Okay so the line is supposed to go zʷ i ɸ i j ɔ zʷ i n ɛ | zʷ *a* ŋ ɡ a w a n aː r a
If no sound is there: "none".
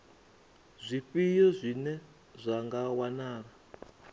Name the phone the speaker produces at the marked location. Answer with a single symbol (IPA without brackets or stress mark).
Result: a